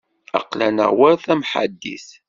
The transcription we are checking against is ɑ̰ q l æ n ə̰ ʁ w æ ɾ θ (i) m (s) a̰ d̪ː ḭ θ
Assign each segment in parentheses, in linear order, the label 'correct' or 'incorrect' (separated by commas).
incorrect, incorrect